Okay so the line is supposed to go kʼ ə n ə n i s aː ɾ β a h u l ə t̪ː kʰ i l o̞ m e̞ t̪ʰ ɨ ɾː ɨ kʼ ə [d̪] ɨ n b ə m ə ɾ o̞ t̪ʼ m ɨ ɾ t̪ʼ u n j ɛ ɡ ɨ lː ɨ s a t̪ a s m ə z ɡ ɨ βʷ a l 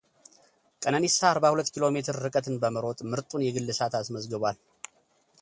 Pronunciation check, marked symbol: incorrect: t̪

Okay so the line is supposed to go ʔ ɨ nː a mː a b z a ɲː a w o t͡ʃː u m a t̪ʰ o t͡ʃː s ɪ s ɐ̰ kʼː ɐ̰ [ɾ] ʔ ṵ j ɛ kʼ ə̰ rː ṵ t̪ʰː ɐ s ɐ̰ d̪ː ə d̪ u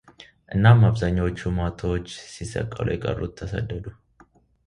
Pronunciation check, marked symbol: incorrect: l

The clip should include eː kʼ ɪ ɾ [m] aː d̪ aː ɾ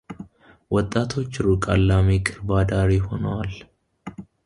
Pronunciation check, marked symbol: incorrect: b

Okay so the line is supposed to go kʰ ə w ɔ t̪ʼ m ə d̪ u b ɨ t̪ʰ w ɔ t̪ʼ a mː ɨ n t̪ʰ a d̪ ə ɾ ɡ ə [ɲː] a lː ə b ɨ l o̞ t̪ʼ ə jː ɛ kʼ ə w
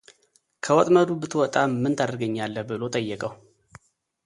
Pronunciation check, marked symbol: correct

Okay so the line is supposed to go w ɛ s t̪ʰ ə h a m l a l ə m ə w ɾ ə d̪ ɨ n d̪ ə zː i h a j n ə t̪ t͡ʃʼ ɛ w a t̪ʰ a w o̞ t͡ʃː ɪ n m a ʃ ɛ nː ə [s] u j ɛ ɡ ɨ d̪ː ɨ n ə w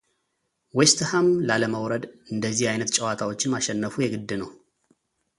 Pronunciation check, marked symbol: incorrect: f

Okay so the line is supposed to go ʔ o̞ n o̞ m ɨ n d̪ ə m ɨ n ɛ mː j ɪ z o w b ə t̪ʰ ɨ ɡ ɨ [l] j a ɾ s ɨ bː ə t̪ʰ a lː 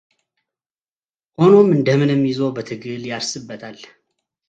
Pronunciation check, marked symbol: correct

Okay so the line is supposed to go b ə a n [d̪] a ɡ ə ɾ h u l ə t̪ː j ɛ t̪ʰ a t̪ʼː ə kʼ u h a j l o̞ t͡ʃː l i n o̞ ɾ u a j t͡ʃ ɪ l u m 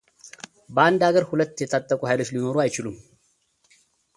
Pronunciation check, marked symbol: correct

